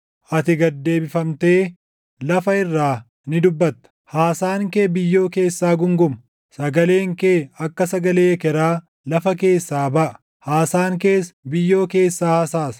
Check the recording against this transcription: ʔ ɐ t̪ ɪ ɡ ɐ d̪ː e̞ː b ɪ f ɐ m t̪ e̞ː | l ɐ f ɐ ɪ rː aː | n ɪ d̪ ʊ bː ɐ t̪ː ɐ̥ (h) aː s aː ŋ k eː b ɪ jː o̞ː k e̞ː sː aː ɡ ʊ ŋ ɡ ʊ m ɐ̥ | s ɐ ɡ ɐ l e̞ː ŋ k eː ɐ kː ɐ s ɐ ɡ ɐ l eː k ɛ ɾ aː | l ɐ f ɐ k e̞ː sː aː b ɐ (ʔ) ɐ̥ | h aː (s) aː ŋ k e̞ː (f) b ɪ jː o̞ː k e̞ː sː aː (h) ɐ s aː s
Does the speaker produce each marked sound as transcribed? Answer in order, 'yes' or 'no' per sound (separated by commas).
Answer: yes, yes, yes, no, yes